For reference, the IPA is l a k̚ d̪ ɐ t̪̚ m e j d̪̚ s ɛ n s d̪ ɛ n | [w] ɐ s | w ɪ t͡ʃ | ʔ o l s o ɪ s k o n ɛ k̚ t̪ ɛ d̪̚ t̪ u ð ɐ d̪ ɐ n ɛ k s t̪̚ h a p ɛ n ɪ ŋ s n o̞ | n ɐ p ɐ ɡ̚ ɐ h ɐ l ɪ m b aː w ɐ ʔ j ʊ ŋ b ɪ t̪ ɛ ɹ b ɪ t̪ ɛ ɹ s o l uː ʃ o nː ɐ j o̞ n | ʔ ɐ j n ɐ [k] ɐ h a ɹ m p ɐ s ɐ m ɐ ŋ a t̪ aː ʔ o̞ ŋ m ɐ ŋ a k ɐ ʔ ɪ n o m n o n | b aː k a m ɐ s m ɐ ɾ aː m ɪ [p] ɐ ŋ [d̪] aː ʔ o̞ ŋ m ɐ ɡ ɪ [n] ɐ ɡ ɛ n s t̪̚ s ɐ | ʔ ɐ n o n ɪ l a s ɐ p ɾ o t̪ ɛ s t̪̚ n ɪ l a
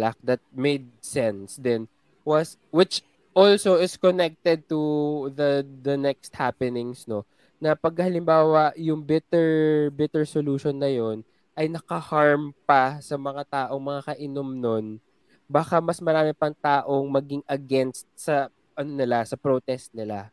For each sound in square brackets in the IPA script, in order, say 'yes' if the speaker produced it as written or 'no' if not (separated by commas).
yes, yes, yes, no, no